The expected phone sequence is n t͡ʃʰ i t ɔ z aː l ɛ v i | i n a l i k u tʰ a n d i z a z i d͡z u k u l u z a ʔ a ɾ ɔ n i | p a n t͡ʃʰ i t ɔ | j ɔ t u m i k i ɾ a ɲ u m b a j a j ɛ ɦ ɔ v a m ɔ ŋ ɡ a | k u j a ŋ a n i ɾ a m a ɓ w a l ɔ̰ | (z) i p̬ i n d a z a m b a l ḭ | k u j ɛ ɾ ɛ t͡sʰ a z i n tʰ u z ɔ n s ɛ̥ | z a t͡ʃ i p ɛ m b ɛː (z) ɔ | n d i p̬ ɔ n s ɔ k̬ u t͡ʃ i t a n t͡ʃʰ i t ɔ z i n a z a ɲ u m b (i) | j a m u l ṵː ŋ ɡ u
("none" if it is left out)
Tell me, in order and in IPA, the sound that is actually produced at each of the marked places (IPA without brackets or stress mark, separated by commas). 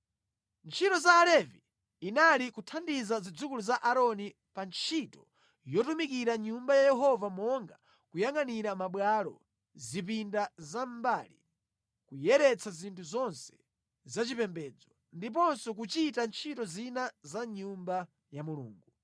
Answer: z, d͡z, a